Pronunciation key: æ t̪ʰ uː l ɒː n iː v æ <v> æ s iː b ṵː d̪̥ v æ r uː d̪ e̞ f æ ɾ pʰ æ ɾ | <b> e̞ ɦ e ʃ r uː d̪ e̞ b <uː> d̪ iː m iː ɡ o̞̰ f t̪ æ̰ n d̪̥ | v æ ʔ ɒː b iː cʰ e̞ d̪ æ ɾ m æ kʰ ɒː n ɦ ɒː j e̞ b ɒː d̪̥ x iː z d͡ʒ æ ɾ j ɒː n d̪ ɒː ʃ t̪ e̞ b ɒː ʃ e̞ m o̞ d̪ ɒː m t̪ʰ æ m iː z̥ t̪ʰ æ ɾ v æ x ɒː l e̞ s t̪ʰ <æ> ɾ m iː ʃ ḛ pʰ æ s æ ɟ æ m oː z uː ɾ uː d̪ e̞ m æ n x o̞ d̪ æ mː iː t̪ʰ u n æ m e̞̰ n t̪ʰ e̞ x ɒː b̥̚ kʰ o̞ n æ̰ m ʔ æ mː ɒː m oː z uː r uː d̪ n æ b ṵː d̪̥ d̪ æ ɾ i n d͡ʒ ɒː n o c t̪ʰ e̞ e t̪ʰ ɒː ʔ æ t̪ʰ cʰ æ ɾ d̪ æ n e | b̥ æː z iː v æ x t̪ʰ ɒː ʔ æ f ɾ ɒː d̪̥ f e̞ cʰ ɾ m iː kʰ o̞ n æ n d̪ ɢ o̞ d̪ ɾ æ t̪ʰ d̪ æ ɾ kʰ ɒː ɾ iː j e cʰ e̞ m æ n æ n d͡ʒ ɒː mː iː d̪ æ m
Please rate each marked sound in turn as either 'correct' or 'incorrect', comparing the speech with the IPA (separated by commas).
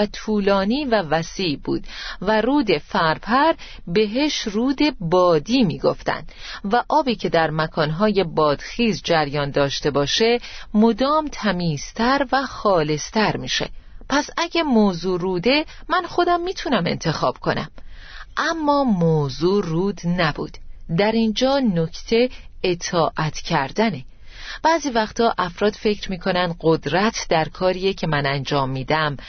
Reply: correct, correct, incorrect, correct